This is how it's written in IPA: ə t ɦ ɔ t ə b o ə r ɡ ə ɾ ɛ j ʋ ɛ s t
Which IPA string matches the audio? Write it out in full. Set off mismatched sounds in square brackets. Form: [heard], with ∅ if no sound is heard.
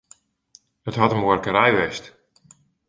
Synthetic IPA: ə t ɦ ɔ t ə [m] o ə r [k] ə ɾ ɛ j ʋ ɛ s t

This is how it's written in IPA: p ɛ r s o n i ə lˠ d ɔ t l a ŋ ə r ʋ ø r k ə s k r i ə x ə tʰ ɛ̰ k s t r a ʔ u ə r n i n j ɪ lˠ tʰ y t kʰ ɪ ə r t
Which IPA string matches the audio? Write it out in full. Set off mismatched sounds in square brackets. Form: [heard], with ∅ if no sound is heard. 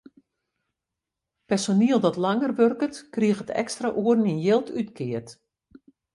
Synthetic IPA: p ɛ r s o n i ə lˠ d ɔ t l a ŋ ə r ʋ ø r k ə [t] k r i ə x ə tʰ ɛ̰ k s t r a ʔ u ə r n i n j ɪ lˠ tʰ y t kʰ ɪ ə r t

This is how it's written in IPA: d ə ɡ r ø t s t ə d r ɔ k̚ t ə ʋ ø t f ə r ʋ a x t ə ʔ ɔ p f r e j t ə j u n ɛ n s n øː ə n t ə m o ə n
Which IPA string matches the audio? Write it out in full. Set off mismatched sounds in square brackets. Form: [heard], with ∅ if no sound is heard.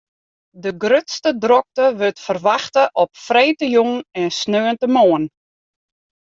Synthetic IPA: d ə ɡ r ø t s t ə d r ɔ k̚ t ə ʋ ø t f ə r ʋ a x t ə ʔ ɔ p f r e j t ə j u [ŋ] ɛ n s n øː ə n t ə m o ə n

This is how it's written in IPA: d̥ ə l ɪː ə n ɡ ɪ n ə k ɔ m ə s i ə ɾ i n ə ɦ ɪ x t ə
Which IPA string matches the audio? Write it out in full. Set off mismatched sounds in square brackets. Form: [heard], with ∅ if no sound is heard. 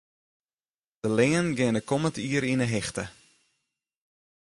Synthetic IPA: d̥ ə l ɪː ə n ɡ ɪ n ə k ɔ m ə [t] i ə ɾ i n ə ɦ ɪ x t ə

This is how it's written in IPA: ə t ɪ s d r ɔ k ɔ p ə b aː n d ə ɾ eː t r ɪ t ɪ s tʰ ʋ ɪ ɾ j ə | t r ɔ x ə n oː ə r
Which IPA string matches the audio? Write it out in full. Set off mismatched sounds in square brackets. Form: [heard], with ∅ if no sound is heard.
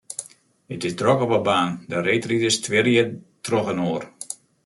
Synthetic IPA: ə t ɪ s d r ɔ k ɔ p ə b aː n d ə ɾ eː t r [i] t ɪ s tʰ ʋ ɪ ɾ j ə | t r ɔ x ə n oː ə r

